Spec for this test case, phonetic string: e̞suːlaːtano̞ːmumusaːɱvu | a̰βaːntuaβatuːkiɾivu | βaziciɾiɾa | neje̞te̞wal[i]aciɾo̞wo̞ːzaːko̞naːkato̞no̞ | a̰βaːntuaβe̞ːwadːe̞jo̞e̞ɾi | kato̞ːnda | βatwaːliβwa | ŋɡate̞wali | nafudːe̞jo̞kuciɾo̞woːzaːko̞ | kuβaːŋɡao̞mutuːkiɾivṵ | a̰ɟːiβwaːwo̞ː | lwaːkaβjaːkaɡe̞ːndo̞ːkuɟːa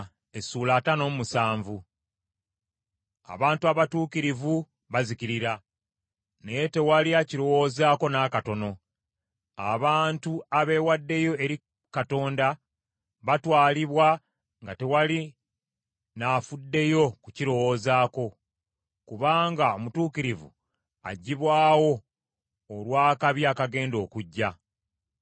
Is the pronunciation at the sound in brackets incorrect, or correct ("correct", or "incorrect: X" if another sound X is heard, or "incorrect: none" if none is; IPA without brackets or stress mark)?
correct